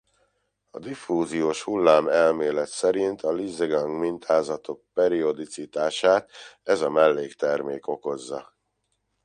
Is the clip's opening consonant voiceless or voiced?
voiced